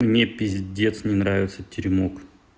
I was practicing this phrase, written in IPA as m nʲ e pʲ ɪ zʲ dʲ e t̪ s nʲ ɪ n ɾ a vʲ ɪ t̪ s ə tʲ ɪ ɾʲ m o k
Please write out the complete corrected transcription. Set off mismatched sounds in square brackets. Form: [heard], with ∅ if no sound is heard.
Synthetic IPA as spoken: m nʲ e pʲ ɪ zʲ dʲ e t̪ s nʲ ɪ n ɾ a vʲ ɪ t̪ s ə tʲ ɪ ɾʲ m o k